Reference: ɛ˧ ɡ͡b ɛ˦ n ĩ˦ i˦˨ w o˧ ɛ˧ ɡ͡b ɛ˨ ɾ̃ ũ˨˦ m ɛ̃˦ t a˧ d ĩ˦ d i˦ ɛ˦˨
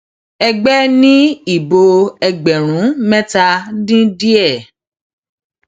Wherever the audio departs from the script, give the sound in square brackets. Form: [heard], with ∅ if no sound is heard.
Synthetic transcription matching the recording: ɛ˧ ɡ͡b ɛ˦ n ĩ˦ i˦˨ [b] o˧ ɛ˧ ɡ͡b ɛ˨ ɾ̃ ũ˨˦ m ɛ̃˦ t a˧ d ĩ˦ d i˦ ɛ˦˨